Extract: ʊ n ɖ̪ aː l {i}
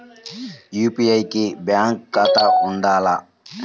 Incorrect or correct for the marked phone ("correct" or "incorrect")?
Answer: incorrect